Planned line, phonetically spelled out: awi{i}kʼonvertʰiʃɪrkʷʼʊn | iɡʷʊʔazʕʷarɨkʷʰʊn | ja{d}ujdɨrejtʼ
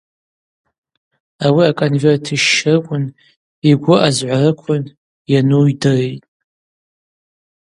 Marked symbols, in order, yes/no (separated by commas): no, no